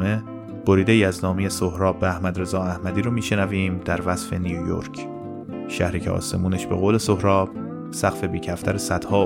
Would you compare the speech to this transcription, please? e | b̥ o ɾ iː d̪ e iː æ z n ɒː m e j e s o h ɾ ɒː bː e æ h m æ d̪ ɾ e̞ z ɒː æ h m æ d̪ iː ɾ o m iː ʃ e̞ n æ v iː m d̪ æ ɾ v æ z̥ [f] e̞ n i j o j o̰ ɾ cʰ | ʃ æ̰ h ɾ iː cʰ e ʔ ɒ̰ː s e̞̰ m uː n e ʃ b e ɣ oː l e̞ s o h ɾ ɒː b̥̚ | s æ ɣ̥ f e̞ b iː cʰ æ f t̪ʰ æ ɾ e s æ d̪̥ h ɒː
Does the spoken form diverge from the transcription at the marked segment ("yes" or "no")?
no